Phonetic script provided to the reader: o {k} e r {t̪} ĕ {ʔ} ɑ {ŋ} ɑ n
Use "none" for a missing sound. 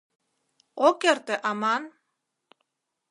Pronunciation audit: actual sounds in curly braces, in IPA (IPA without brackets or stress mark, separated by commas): k, t̪, ʔ, m